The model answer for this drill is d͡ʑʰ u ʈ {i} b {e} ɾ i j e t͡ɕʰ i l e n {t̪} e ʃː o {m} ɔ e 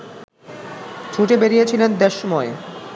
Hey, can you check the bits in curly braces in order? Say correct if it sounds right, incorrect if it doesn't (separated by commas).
incorrect, correct, incorrect, correct